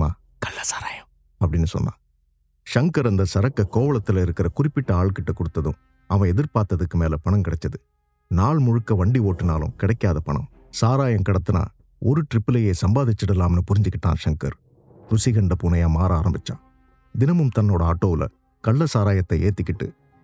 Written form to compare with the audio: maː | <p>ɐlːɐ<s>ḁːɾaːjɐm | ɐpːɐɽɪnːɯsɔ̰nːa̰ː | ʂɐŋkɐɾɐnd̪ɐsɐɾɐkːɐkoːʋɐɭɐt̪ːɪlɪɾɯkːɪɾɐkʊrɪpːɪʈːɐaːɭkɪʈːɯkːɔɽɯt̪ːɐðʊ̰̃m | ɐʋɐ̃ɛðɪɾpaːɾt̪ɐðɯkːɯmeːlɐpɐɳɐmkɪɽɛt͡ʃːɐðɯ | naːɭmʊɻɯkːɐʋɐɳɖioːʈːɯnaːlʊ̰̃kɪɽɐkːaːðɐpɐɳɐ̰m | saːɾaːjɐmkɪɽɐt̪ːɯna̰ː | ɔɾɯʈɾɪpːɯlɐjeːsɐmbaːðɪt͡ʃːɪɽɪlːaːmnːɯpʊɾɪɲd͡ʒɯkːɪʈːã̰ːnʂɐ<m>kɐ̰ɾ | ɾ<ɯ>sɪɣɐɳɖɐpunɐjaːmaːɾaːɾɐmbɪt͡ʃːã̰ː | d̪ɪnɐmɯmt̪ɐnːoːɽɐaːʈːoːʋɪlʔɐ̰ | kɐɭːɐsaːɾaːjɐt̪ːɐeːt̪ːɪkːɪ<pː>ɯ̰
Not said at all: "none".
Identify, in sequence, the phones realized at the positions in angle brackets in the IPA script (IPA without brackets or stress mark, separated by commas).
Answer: k, s, ŋ, ʊ, ʈː